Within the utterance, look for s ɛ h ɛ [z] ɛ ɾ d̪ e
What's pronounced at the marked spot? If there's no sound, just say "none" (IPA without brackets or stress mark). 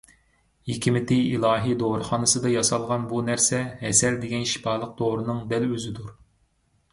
s